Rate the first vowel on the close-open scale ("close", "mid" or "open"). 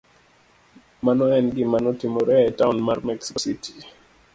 open